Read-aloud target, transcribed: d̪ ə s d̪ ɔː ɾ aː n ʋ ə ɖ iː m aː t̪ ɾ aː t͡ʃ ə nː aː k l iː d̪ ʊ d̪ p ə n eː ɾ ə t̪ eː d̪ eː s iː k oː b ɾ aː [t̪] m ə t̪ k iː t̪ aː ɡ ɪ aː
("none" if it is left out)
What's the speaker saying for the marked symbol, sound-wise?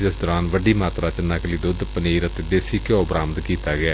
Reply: none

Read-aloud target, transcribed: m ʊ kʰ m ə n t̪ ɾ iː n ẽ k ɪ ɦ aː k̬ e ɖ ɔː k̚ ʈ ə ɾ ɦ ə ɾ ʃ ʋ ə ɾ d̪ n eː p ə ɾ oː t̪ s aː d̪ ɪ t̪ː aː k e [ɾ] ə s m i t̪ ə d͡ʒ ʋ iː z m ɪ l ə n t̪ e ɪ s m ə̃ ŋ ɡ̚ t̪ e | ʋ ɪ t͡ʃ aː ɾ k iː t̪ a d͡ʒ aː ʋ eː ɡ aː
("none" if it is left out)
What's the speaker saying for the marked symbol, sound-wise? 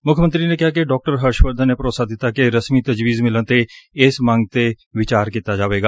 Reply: ɾ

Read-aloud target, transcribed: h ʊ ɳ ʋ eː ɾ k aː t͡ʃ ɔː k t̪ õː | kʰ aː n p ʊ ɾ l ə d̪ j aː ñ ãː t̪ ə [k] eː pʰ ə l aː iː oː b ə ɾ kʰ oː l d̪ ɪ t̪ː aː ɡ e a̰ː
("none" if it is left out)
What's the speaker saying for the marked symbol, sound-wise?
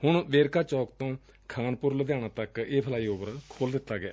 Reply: k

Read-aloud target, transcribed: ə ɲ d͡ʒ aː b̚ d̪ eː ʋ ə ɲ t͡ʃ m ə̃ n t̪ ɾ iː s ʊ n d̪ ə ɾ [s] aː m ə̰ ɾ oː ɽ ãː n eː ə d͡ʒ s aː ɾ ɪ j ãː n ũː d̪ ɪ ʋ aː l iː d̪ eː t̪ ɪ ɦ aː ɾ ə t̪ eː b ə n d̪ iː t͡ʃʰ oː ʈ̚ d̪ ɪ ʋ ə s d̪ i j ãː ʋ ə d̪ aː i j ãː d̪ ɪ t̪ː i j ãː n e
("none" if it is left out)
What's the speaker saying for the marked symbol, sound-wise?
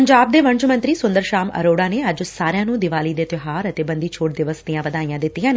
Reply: ʃ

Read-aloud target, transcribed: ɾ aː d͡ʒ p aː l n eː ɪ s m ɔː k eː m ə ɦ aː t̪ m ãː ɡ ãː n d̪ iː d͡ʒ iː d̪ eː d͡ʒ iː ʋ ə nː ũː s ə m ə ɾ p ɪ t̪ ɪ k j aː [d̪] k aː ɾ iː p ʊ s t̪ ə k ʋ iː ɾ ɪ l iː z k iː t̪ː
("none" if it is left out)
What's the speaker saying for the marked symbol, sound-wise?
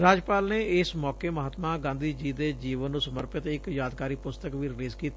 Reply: d̪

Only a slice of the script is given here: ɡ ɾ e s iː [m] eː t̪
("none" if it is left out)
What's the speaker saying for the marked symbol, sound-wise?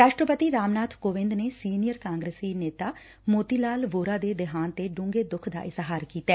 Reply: n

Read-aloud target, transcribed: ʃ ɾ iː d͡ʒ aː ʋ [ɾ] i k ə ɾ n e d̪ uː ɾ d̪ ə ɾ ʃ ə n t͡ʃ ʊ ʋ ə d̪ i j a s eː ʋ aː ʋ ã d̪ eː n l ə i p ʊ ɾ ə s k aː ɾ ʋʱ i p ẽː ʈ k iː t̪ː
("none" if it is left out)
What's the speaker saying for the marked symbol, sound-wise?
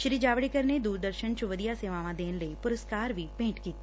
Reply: ɽ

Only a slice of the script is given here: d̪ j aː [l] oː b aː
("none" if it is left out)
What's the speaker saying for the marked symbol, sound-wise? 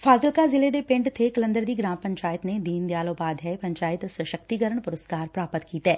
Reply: l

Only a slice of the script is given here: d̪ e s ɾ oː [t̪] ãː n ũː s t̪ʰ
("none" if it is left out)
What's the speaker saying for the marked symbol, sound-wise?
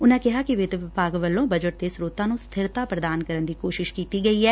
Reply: t̪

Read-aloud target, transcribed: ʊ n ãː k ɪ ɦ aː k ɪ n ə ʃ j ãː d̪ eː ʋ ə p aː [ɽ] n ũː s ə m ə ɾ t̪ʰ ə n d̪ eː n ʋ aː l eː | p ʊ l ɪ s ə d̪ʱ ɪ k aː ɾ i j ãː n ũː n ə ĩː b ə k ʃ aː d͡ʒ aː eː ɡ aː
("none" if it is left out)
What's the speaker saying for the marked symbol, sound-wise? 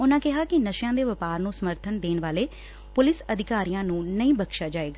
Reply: ɾ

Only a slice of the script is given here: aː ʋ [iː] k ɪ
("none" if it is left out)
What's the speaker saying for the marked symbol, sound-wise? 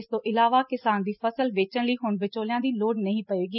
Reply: aː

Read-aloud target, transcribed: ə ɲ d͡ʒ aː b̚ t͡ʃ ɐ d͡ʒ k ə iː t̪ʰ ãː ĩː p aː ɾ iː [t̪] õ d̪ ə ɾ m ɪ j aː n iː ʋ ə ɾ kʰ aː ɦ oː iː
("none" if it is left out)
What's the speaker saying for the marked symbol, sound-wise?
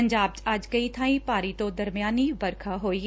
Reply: t̪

